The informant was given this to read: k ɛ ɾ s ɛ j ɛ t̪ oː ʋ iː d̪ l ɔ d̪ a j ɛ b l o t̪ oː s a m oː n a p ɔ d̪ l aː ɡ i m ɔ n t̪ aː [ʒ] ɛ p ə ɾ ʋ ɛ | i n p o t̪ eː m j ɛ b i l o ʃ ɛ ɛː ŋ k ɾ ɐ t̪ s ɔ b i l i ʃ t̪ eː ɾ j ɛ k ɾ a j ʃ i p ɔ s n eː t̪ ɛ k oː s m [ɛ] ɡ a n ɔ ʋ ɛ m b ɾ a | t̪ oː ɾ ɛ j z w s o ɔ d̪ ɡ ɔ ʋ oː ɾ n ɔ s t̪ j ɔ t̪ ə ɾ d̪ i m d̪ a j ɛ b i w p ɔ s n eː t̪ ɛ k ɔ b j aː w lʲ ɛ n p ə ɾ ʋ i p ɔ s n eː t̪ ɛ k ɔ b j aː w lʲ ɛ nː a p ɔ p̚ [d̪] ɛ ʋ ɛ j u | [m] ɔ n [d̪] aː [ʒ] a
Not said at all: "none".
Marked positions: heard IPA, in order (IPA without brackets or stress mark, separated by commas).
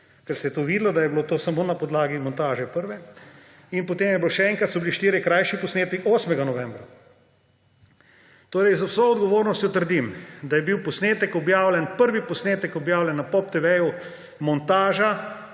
ʒ, ɛ, t̪, m, t̪, ʒ